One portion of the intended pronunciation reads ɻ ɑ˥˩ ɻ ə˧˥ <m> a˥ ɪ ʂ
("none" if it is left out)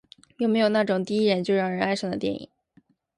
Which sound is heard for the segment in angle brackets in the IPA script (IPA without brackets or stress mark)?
n